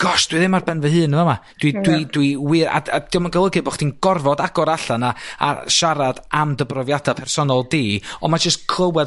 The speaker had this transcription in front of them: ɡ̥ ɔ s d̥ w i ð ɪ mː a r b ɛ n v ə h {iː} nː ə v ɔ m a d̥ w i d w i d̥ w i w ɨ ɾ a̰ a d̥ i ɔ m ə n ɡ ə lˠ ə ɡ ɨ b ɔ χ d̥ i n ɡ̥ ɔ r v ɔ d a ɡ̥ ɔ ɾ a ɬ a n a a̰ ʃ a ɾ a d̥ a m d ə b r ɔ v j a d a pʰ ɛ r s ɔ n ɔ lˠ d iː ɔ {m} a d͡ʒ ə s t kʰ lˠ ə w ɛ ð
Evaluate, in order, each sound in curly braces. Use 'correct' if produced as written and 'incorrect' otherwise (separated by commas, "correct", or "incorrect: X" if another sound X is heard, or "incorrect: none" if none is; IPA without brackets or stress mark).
incorrect: ɨː, correct